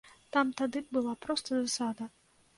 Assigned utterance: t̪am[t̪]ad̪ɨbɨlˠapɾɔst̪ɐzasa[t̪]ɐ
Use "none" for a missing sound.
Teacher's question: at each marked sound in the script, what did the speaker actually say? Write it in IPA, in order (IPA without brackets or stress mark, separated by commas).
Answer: t̪, d̪